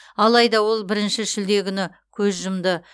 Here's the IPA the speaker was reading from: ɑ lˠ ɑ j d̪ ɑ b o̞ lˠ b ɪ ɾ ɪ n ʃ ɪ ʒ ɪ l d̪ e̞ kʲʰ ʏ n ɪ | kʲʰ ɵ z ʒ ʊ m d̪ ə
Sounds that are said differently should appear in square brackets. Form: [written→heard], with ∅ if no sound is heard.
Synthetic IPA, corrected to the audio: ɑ lˠ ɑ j d̪ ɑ [b→w] o̞ lˠ b ɪ ɾ ɪ n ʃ ɪ ʒ ɪ l d̪ e̞ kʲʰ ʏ n ɪ | kʲʰ ɵ z ʒ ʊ m d̪ ə

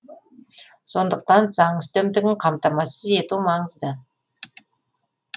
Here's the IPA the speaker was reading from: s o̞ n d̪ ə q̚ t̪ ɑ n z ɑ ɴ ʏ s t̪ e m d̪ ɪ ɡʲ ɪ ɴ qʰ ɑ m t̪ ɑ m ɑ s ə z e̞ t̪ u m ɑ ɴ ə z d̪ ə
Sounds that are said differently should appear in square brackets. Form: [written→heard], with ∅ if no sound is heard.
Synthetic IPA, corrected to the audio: s o̞ n d̪ ə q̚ t̪ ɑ n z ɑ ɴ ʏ s t̪ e m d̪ ɪ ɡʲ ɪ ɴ qʰ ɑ m t̪ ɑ m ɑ s ə z e̞ t̪ u m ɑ ɴ ə z d̪ ə

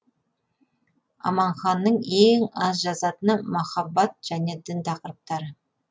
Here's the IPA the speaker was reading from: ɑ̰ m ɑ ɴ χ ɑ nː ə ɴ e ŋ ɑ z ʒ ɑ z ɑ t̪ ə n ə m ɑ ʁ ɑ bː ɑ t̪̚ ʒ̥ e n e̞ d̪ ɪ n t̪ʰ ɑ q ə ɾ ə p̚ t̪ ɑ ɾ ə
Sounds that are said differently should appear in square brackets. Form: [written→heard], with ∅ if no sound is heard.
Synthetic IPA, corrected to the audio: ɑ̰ m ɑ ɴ χ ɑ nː ə ɴ e ŋ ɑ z ʒ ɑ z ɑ t̪ ə n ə m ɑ [ʁ→χ] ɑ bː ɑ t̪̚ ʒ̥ [e→æ] n e̞ d̪ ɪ n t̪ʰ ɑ q ə ɾ ə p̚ t̪ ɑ ɾ ə

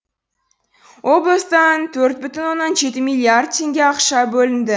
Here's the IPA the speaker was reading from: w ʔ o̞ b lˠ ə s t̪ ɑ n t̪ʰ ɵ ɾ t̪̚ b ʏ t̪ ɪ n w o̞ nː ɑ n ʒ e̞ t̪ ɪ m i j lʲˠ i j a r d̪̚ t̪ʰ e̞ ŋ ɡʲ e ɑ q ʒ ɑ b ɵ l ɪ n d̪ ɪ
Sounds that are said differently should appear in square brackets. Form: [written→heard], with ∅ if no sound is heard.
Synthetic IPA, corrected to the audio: w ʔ o̞ b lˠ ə s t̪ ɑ n t̪ʰ ɵ ɾ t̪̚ b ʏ t̪ ɪ n w o̞ nː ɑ n ʒ e̞ t̪ ɪ m i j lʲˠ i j a r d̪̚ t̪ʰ e̞ ŋ ɡʲ e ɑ q [ʒ→ʃ] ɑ b ɵ l ɪ n d̪ ɪ

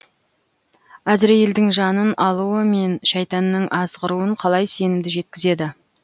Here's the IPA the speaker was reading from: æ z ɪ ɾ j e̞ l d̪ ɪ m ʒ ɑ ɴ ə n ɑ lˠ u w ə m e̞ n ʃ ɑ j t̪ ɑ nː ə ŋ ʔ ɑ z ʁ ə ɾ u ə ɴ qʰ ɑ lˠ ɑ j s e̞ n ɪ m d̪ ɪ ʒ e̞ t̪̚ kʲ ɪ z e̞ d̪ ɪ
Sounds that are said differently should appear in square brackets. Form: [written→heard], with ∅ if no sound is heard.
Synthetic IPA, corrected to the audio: æ z ɪ ɾ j e̞ l d̪ ɪ [m→ŋ] ʒ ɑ [ɴ→n] ə n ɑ lˠ u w ə m e̞ n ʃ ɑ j t̪ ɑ nː ə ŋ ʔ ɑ z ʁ ə ɾ u ə ɴ qʰ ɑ lˠ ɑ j s e̞ n ɪ m d̪ ɪ ʒ e̞ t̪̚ kʲ ɪ z e̞ d̪ ɪ

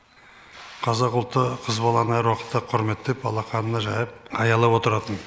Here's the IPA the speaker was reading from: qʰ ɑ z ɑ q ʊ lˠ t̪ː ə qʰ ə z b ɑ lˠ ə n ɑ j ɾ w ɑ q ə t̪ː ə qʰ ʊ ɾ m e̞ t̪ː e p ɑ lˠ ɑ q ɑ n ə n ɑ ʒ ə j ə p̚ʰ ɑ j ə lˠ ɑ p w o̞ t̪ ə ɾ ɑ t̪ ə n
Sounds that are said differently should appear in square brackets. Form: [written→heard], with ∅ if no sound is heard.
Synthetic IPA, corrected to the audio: qʰ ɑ z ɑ q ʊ lˠ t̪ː ə qʰ ə z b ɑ lˠ [ə→ɑ] n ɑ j ɾ w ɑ q ə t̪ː ə qʰ ʊ ɾ m e̞ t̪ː e p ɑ lˠ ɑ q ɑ n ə n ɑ ʒ [ə→ɑ] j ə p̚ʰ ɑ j [ə→ɑ] lˠ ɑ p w o̞ t̪ ə ɾ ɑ t̪ ə n

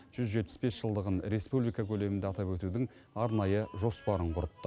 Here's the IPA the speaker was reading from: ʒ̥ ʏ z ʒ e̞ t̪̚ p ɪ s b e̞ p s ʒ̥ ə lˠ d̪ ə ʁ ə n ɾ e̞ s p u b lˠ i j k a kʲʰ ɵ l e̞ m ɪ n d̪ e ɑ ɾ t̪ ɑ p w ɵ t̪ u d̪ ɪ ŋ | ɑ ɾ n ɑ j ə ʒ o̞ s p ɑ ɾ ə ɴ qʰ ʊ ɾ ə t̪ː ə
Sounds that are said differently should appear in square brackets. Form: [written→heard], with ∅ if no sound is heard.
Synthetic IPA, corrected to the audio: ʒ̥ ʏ z ʒ e̞ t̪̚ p ɪ s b e̞ [p→∅] s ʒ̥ ə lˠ d̪ ə ʁ ə n ɾ e̞ s p u b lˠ i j k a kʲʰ ɵ l e̞ m ɪ n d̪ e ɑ [ɾ→∅] t̪ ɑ p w ɵ t̪ u d̪ ɪ ŋ | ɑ ɾ n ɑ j ə ʒ o̞ s p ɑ ɾ ə ɴ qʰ ʊ ɾ ə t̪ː ə

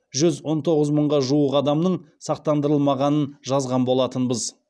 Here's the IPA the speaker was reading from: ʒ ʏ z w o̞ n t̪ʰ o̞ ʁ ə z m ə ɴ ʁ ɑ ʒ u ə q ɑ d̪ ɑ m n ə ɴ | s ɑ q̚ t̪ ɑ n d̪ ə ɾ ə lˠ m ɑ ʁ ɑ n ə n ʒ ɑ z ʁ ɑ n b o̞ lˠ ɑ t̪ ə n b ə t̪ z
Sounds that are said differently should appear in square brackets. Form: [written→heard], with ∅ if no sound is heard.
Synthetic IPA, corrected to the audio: ʒ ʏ z w o̞ n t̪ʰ o̞ ʁ ə z m ə ɴ ʁ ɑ ʒ u ə q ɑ d̪ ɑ m n ə ɴ | s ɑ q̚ t̪ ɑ n d̪ ə ɾ ə lˠ m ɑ ʁ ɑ n ə n ʒ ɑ z ʁ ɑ n b o̞ lˠ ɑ t̪ ə n b ə [t̪→∅] z

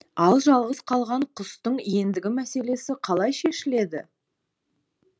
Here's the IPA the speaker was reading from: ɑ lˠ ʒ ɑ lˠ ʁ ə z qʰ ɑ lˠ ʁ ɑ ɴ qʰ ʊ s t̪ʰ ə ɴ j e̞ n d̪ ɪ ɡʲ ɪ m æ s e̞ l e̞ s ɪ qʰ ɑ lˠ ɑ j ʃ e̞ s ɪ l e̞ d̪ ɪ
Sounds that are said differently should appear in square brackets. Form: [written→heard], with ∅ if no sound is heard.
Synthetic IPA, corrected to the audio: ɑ lˠ ʒ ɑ lˠ ʁ ə z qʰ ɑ lˠ ʁ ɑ ɴ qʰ ʊ s [t̪ʰ→t̪] ə ɴ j e̞ n d̪ ɪ ɡʲ ɪ m æ s e̞ l e̞ s ɪ qʰ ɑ lˠ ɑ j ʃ e̞ [s→ʃ] ɪ l e̞ d̪ ɪ

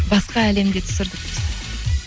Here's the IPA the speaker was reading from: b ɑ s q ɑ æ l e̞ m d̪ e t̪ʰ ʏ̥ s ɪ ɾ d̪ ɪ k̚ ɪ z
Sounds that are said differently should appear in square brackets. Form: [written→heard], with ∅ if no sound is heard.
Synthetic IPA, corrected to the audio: b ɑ s q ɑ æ l e̞ m d̪ e t̪ʰ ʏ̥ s ɪ ɾ d̪ ɪ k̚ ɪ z

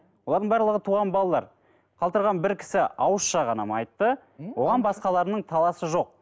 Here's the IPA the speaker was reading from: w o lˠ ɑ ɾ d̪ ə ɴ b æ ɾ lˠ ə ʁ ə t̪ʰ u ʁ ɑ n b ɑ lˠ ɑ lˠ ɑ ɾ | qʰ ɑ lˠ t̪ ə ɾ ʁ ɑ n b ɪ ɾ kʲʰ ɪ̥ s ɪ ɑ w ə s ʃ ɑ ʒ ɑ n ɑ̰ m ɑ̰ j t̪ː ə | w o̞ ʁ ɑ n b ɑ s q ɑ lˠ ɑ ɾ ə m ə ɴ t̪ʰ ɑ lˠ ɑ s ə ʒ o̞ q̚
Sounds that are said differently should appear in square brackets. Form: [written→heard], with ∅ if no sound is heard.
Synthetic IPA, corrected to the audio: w o lˠ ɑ ɾ d̪ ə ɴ b æ ɾ lˠ ə ʁ ə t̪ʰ u ʁ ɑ n b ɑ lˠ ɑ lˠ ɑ ɾ | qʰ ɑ lˠ t̪ ə ɾ ʁ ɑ n b ɪ ɾ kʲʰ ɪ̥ s ɪ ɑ w ə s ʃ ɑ [ʒ→ʁ] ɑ n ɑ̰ m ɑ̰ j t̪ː ə | w o̞ ʁ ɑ n b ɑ s q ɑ lˠ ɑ ɾ ə [m→n] ə ɴ t̪ʰ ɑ lˠ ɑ s ə ʒ o̞ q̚

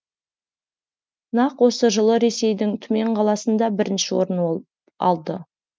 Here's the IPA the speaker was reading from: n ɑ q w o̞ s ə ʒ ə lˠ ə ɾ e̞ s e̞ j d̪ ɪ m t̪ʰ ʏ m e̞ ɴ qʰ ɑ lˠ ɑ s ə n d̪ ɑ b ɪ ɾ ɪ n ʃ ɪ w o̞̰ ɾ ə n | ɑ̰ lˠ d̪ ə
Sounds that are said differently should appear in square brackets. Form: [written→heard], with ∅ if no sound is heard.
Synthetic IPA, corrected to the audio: n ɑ q w o̞ s ə ʒ ə lˠ ə ɾ e̞ s e̞ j d̪ ɪ [m→ŋ] t̪ʰ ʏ m e̞ ɴ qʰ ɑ lˠ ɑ s ə n d̪ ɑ b ɪ ɾ ɪ n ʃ ɪ w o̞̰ ɾ ə n | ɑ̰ lˠ d̪ ə

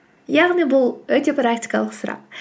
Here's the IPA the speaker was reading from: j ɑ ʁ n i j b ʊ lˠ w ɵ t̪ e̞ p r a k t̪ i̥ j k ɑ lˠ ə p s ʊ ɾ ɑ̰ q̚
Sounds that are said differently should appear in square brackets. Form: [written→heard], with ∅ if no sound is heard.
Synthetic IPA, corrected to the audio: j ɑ ʁ n i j b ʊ lˠ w ɵ t̪ e̞ p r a k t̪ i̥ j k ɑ lˠ ə [p→q] s ʊ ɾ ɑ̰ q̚

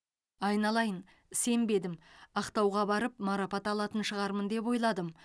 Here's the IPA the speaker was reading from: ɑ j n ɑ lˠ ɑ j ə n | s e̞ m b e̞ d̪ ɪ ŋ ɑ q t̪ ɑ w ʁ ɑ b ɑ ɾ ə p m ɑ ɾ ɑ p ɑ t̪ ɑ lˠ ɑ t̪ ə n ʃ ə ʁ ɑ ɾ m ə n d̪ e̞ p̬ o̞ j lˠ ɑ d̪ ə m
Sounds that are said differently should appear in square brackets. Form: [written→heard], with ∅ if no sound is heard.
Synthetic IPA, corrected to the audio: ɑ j n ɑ lˠ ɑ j ə n | s e̞ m b e̞ d̪ ɪ [ŋ→m] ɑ q t̪ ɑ w ʁ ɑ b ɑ ɾ ə p m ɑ ɾ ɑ p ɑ t̪ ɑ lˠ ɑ t̪ ə n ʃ ə ʁ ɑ ɾ m ə n d̪ e̞ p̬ o̞ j lˠ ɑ d̪ ə m

